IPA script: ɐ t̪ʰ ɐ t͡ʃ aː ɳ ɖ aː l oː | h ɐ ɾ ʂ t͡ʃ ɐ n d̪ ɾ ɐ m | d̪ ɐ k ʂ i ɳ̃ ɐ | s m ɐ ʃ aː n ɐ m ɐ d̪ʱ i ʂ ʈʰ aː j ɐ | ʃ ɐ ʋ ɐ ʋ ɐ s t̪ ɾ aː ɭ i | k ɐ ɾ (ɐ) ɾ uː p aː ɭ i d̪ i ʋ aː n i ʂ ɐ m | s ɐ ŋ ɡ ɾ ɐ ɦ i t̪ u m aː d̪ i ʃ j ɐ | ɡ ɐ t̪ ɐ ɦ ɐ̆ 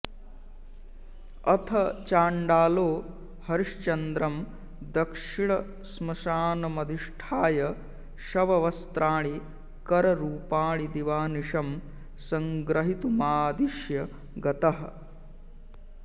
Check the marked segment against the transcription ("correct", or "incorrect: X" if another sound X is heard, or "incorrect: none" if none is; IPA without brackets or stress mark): correct